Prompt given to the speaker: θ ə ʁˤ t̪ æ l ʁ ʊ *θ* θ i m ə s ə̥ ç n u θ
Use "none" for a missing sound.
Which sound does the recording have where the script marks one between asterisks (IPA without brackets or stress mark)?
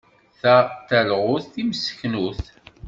θ